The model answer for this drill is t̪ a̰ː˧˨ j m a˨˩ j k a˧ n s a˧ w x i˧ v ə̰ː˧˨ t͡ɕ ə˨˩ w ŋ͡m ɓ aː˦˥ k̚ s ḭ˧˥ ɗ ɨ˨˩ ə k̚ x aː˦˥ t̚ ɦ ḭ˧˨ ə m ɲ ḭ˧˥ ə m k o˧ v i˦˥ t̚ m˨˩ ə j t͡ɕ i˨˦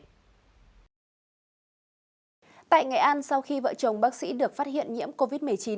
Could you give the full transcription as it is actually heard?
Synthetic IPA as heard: t̪ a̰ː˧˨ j ŋ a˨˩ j ʔ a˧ n s a˧ w x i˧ v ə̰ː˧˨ t͡ɕ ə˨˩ w ŋ͡m ɓ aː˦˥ k̚ s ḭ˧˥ ɗ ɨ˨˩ ə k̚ f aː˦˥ t̚ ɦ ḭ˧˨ ə n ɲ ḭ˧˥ ə m k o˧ v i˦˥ t̚ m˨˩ ə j t͡ɕ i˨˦